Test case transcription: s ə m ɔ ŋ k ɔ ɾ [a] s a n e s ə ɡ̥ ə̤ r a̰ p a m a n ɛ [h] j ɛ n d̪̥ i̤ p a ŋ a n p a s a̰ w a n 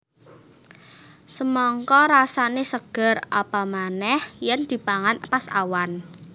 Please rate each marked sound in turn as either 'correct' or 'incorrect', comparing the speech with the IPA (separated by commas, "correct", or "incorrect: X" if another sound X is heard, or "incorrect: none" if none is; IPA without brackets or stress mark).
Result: correct, correct